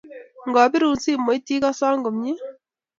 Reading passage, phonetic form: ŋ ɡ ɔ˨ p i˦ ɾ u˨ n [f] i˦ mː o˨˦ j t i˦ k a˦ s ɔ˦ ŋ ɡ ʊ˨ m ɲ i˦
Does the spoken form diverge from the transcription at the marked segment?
yes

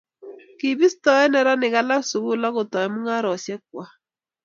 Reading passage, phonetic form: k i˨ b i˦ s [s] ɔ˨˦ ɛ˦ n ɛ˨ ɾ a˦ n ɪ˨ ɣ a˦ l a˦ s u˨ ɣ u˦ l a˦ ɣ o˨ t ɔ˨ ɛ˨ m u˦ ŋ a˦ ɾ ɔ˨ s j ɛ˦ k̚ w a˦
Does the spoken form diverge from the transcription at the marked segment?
yes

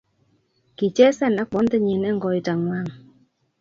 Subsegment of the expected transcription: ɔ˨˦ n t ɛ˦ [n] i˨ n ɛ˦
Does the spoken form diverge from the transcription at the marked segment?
yes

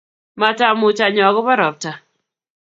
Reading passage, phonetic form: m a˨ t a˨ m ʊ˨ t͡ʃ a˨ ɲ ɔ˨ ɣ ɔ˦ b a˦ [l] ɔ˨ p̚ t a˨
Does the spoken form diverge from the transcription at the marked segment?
yes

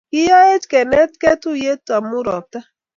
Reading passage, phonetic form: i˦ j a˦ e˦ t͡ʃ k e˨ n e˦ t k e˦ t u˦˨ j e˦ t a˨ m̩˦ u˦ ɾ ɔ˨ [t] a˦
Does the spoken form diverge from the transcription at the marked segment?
no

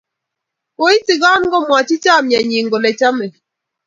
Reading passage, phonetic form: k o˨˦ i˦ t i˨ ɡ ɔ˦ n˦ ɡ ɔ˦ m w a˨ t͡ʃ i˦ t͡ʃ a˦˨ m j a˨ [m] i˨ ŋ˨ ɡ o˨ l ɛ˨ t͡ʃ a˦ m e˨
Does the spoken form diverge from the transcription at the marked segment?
yes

